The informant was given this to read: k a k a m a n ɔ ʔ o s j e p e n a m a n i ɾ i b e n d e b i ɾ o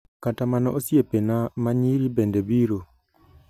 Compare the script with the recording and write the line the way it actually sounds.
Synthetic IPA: k a t a m a n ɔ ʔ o s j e p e n a m a ɲ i ɾ i b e n d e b i ɾ o